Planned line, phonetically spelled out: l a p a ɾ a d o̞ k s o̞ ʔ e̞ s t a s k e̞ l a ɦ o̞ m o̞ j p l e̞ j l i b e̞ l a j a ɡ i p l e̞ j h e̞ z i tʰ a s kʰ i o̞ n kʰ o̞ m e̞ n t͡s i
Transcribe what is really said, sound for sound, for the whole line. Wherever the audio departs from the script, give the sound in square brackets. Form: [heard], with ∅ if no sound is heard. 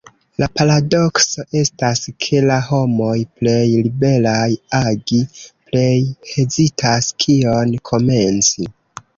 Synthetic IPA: l a p a ɾ a d o̞ k s o̞ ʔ e̞ s t a s [kʰ] e̞ l a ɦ o̞ m o̞ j p l e̞ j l i b e̞ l a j a ɡ i p l e̞ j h e̞ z i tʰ a s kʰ i o̞ n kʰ o̞ m e̞ n t͡s i